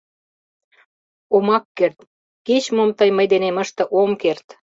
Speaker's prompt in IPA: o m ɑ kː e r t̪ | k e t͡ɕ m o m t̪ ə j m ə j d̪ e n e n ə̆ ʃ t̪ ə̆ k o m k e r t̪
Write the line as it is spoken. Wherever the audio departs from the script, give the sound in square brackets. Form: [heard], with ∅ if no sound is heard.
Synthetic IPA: o m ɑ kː e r t̪ | k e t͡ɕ m o m t̪ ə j m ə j d̪ e n e [m] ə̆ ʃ t̪ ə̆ [ʔ] o m k e r t̪